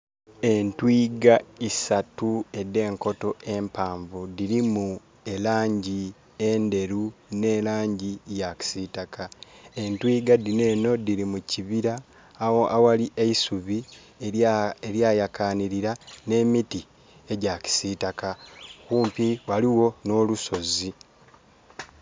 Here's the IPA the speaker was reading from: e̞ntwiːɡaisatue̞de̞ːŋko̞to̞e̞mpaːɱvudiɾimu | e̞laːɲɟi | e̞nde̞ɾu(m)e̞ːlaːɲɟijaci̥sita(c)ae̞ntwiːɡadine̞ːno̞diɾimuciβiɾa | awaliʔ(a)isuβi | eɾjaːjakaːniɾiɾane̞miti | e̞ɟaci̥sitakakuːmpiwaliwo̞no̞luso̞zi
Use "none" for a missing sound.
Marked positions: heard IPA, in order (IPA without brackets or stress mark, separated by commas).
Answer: n, k, e